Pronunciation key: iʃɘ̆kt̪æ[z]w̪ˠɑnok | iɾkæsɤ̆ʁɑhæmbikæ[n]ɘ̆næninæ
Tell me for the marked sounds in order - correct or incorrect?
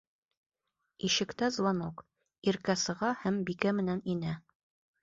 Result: correct, incorrect: m

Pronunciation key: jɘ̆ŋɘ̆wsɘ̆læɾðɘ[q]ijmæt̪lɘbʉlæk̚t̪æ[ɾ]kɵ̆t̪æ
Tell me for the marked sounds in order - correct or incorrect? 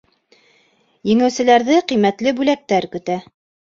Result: correct, correct

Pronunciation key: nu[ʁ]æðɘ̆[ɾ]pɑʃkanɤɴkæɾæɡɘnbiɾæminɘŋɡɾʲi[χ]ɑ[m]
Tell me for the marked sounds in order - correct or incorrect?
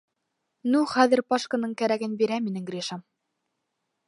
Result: incorrect: χ, correct, incorrect: ʃ, correct

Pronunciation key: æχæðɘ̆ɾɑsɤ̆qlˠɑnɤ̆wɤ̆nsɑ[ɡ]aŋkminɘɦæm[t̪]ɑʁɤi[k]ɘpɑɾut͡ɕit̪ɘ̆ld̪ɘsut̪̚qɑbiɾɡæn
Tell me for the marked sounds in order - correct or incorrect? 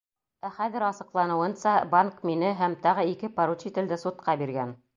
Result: incorrect: b, correct, correct

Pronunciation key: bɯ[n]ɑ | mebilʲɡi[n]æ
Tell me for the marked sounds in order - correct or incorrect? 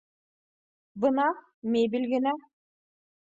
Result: correct, correct

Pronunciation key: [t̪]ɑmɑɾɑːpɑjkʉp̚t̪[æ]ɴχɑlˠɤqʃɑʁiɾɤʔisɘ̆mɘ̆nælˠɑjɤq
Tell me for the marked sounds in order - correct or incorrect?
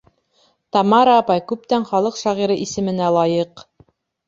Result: correct, correct

